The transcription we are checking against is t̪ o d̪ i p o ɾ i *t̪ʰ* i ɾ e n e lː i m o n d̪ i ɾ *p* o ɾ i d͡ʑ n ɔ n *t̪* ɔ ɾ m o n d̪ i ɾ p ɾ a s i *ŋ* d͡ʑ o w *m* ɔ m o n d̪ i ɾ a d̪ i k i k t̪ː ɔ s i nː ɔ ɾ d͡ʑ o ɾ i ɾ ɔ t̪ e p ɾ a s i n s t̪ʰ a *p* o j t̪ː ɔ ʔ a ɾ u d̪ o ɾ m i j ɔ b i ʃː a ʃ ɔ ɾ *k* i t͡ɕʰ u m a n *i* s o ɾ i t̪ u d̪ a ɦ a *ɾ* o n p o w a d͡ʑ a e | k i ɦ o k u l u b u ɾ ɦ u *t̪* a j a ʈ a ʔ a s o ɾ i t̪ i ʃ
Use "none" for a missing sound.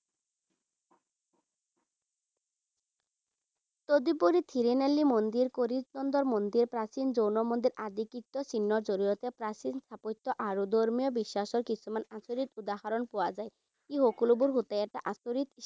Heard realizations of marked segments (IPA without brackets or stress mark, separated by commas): t̪ʰ, k, d̪, n, n, p, k, a, ɾ, t̪